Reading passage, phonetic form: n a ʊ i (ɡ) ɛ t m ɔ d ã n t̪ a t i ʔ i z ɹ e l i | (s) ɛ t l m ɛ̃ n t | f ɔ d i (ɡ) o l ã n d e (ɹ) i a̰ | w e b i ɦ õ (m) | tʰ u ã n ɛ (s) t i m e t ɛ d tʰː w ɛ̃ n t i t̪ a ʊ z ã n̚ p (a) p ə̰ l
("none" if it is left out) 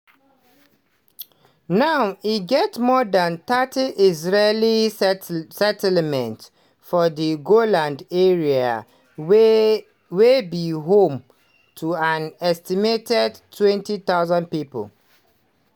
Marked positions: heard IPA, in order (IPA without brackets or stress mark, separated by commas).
ɡ, s, ɡ, ɹ, m, s, i